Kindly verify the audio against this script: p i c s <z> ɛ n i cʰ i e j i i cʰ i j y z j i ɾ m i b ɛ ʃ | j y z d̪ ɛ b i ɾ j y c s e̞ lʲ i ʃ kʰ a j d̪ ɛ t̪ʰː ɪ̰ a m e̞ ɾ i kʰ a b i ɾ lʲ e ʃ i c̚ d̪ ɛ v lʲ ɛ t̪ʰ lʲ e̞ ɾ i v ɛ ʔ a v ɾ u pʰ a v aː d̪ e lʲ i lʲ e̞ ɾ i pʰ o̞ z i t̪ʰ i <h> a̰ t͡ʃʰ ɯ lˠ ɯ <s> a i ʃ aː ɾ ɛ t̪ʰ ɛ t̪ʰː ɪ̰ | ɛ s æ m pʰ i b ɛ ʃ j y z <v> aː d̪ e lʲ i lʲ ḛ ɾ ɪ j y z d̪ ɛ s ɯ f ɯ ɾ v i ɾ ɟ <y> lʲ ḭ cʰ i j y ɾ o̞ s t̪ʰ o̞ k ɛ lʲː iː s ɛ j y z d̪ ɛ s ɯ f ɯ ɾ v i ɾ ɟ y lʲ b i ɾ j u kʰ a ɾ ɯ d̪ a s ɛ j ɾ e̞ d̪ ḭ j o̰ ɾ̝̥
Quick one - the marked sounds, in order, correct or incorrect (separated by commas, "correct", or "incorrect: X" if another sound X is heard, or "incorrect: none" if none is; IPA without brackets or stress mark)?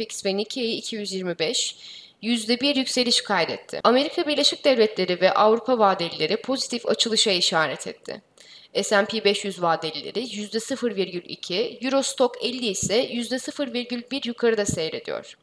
incorrect: v, incorrect: f, incorrect: ʃ, correct, correct